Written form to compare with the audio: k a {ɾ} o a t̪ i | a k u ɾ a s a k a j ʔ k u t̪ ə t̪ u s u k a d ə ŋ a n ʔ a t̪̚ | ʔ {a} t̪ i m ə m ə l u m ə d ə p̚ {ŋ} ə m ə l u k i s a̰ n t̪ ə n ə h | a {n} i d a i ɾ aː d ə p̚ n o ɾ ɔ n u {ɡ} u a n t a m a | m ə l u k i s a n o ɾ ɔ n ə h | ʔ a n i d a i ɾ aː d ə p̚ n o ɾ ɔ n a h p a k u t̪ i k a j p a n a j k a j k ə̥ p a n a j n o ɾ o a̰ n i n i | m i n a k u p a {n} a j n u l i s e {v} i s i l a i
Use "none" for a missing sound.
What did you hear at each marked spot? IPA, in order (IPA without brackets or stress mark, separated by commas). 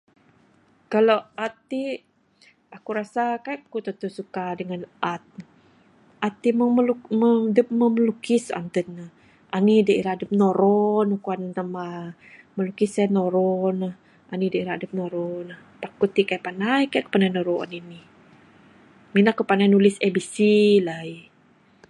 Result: l, a, m, n, k, n, b